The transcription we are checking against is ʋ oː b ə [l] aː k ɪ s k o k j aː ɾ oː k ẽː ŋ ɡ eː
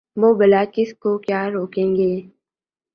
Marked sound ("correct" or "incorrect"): correct